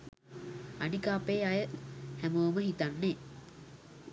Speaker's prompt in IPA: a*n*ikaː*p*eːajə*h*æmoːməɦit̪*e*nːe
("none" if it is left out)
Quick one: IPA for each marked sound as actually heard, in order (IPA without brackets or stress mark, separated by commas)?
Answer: n, p, h, a